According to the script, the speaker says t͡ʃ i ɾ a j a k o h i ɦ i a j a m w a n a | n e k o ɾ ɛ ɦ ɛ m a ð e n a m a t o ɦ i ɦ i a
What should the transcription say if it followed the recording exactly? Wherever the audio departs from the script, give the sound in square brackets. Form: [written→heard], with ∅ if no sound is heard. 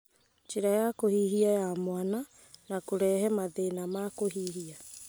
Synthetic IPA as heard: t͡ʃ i ɾ a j a k o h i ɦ i a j a m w a n a | n [e→a] k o ɾ ɛ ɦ ɛ m a ð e n a m a [t→k] o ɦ i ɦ i a